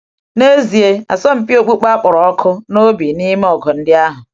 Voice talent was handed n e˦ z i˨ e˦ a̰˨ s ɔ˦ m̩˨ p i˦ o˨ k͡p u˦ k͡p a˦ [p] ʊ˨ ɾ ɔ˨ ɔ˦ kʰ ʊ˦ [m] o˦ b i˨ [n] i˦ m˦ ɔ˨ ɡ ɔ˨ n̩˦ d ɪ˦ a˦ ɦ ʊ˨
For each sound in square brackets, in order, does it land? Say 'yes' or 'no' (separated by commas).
no, no, yes